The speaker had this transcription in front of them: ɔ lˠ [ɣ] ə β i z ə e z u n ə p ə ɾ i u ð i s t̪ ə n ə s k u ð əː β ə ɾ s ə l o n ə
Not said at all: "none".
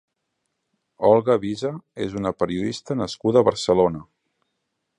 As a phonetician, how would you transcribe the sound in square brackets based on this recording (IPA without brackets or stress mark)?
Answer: ɣ